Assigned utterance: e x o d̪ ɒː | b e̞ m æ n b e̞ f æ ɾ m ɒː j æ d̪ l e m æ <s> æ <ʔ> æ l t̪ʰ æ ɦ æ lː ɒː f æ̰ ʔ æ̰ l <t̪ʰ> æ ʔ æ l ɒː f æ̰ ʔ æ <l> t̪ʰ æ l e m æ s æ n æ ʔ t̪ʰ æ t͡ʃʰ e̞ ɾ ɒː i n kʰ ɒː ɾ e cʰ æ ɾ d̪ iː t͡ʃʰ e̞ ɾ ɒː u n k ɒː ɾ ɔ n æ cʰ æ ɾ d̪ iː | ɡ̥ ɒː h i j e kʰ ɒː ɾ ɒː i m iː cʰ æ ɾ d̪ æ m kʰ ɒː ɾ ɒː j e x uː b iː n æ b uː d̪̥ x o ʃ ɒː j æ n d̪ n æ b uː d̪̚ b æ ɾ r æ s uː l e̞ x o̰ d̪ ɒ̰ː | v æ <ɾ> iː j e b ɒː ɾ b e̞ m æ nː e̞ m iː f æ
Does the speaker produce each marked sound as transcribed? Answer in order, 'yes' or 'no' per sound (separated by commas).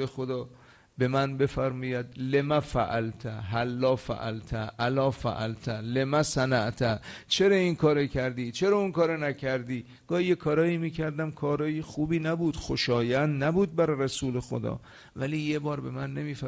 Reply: no, yes, yes, yes, no